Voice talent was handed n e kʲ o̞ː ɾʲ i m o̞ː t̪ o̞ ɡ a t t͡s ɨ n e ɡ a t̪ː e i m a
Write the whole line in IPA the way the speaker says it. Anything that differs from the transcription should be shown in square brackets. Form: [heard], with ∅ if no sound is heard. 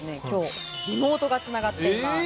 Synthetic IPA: n e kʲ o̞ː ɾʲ i m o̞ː t̪ o̞ ɡ a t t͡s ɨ n [a] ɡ a t̪ː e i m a